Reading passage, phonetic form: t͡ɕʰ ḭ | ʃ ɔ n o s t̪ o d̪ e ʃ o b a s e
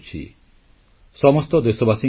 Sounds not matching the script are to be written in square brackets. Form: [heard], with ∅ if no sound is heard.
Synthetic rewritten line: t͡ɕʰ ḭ | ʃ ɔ [m] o s t̪ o d̪ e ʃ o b a s [i]